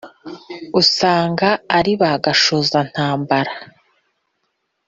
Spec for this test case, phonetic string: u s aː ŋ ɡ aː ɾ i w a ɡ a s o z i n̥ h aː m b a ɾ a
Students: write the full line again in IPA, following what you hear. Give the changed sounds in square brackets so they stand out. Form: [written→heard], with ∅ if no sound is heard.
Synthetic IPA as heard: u s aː ŋ ɡ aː ɾ i [w→β] a ɡ a [s→ʃ] o z [i→a] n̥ h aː m b a ɾ a